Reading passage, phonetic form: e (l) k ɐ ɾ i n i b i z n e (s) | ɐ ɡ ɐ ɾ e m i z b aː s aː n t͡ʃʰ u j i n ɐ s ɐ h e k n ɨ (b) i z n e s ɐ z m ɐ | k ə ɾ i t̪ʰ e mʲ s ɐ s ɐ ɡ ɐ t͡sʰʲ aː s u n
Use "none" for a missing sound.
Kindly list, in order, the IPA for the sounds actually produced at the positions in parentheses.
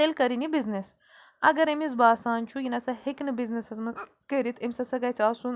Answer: l, s, b

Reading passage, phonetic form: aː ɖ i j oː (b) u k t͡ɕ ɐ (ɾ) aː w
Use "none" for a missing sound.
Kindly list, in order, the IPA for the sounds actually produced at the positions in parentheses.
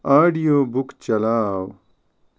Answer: b, l

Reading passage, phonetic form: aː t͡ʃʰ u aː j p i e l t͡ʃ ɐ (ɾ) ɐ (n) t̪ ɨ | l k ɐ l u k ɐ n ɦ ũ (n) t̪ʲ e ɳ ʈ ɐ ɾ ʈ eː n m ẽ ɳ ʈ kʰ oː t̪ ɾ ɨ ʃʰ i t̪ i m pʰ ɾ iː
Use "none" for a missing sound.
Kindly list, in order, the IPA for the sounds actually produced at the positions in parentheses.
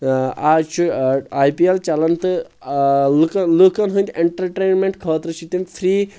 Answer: l, n, n

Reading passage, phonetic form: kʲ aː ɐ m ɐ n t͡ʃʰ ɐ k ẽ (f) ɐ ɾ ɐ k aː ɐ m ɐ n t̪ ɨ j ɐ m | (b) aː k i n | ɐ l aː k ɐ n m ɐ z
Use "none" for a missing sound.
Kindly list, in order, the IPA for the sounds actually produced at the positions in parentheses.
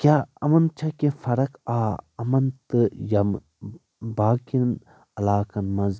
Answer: f, b

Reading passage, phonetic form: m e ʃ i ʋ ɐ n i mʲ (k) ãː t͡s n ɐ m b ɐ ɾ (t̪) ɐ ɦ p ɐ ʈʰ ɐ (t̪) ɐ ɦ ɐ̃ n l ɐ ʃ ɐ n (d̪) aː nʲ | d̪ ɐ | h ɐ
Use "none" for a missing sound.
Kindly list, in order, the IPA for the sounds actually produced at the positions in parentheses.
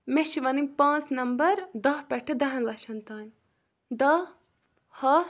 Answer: p, d̪, d̪, t̪

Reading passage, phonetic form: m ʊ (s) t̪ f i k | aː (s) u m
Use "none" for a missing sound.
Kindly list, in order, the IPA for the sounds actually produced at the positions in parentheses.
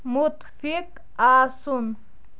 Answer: none, s

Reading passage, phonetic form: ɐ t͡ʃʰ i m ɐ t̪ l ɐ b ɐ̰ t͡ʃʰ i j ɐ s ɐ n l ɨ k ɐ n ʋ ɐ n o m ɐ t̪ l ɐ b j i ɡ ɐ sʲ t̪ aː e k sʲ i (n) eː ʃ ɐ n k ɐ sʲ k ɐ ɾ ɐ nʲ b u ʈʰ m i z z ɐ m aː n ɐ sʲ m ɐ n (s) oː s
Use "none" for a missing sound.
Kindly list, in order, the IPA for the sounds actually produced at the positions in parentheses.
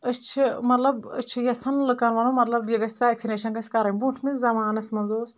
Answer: n, z

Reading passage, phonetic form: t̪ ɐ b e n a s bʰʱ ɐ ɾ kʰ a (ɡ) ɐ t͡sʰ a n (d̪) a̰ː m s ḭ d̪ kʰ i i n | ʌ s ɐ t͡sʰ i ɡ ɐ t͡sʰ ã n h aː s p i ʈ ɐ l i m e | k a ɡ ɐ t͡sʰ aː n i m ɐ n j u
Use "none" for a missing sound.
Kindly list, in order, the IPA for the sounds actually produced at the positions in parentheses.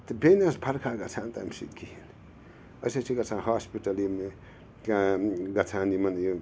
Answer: ɡ, t̪

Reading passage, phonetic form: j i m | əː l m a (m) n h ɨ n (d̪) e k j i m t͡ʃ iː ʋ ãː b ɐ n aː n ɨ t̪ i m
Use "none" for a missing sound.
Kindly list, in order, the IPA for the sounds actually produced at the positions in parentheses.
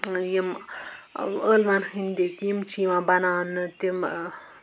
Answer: none, d̪

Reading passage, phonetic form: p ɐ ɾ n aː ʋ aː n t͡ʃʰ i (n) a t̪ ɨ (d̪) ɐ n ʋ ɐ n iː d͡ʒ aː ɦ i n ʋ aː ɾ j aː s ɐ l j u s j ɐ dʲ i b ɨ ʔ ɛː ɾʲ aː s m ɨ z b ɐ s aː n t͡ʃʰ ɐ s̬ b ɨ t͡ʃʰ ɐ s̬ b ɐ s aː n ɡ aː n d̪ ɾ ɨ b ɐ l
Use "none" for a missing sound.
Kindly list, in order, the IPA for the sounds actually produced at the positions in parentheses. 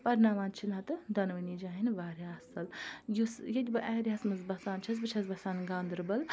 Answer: n, d̪

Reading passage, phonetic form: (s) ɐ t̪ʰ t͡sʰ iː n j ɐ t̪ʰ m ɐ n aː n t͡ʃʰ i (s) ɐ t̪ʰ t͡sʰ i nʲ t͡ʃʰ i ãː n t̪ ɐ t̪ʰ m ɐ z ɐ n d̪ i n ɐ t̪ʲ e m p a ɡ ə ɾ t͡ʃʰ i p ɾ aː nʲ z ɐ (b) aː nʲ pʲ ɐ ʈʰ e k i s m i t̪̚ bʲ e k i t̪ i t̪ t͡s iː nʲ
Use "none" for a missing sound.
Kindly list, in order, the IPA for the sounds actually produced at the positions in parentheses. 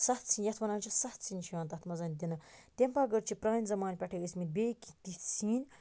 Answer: s, s, m

